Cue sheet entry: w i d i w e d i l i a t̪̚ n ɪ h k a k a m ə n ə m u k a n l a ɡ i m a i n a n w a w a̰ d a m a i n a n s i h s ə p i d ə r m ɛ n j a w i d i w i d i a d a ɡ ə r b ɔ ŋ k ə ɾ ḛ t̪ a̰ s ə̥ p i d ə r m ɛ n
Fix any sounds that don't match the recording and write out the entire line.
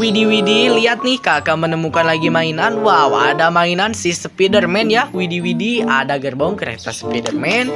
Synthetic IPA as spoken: w i d i w i d i l i a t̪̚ n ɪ h k a k a m ə n ə m u k a n l a ɡ i m a i n a n w a w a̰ d a m a i n a n s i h s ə p i d ə r m ɛ n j a w i d i w i d i a d a ɡ ə r b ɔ ŋ k ə ɾ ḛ t̪ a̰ s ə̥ p i d ə r m ɛ n